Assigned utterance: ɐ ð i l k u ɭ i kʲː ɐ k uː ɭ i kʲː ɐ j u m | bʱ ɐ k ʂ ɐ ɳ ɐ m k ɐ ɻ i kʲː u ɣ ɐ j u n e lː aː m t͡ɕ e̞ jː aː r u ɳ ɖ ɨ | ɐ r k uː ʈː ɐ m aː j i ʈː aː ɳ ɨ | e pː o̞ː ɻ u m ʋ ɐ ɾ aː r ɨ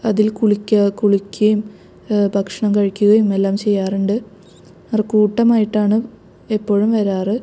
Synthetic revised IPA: ɐ ð i l k u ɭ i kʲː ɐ k u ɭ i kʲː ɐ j u m | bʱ ɐ k ʂ ɐ ɳ ɐ m k ɐ ɻ i kʲː u ɣ ɐ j u m e lː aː m t͡ɕ e̞ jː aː r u ɳ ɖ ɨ | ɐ r k uː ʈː ɐ m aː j i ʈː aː ɳ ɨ | e pː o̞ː ɻ u m ʋ ɐ ɾ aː r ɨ